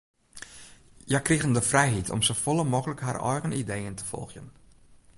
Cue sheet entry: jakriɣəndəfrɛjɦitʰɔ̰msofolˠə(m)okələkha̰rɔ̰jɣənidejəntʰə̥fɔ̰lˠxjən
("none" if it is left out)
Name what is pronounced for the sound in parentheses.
m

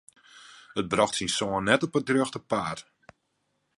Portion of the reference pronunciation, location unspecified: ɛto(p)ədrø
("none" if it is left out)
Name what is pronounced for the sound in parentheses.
p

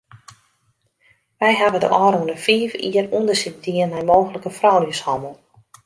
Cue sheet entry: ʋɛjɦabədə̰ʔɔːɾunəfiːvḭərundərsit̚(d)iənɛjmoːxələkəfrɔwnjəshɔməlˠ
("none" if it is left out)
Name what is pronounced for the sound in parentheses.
d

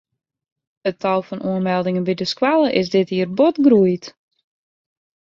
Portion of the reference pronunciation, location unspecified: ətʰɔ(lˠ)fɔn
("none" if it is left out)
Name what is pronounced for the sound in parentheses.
lˠ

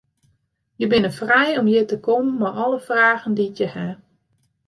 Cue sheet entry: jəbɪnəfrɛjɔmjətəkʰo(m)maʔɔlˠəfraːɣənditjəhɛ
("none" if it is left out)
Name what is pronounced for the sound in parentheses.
m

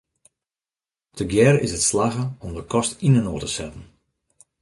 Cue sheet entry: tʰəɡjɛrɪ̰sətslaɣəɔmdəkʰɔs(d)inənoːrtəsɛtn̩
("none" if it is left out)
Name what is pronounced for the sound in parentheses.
t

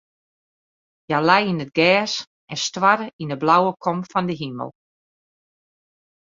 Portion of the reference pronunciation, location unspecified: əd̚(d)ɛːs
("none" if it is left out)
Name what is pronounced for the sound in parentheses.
ɡ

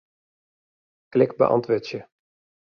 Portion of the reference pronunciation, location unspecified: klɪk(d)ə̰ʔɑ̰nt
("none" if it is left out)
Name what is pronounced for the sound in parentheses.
b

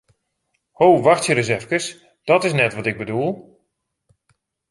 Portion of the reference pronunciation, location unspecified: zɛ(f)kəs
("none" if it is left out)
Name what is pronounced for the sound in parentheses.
f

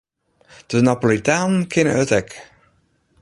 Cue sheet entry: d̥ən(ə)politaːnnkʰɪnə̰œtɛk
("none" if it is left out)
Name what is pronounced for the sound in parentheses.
a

